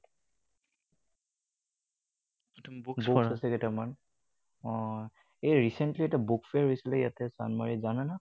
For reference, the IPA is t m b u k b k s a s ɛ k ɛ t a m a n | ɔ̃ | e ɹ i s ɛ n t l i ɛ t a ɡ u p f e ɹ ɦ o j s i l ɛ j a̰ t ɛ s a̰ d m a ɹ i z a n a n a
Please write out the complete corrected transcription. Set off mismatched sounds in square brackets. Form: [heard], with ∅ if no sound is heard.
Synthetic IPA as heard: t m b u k b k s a s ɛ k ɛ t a m a n | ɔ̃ | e ɹ i s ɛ n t l i ɛ t a [b] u [k] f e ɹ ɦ o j s i l ɛ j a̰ t ɛ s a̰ [n] m a ɹ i z a n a n a